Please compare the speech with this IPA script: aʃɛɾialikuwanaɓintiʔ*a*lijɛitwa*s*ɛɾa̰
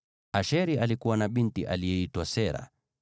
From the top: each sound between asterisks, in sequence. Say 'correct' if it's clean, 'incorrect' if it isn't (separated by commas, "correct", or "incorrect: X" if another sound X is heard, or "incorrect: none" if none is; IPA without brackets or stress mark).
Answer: correct, correct